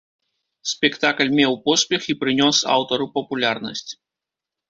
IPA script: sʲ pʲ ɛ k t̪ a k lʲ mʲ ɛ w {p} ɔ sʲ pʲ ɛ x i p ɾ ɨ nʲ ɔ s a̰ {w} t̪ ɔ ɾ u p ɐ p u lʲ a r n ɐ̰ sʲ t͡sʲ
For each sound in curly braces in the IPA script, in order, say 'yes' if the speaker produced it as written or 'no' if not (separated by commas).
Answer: yes, yes